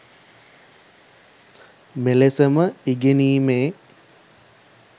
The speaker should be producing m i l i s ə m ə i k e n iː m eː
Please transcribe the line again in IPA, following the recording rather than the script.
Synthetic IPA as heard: m e l e s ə m ə i ɡ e n iː m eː